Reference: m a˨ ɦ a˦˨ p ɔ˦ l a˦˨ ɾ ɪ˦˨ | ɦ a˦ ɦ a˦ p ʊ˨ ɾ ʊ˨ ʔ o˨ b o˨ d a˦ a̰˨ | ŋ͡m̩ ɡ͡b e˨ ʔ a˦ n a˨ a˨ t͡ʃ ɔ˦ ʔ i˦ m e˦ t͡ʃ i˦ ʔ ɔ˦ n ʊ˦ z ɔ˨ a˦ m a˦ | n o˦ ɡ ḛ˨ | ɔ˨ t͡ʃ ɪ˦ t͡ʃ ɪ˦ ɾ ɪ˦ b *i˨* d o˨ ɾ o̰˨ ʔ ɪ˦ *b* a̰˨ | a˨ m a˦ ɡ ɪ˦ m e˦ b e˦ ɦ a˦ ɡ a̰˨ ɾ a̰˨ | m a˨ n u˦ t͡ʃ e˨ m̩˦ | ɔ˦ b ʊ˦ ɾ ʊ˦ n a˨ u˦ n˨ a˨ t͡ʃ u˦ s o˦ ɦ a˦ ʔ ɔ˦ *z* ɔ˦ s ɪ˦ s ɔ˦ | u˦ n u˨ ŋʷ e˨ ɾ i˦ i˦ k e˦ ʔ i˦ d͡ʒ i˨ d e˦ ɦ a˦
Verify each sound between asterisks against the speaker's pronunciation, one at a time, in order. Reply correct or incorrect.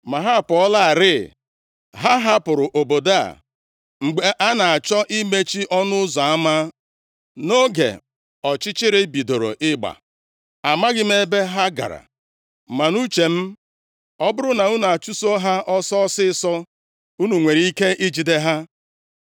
correct, incorrect, incorrect

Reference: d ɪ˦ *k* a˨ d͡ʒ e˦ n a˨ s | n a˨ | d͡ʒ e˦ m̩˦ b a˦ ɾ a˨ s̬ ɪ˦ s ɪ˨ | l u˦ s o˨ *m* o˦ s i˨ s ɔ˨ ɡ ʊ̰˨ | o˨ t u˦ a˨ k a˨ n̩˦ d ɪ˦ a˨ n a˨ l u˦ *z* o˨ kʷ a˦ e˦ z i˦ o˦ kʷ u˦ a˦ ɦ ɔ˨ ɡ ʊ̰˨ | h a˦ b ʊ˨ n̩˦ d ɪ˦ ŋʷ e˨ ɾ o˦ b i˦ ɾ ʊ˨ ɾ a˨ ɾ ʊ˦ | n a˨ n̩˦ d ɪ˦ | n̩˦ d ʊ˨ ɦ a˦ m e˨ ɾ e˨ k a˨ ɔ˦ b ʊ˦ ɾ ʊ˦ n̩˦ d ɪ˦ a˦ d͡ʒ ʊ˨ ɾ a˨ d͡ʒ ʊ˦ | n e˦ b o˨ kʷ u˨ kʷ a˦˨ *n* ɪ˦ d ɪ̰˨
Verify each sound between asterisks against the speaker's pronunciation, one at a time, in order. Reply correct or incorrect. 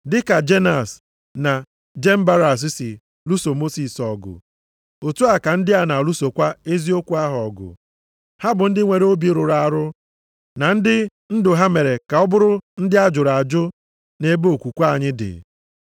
correct, correct, incorrect, incorrect

